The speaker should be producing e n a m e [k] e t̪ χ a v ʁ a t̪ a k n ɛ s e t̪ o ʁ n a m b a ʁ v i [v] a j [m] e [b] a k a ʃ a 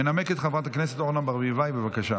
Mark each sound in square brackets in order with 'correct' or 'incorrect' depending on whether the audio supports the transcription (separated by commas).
correct, correct, incorrect, incorrect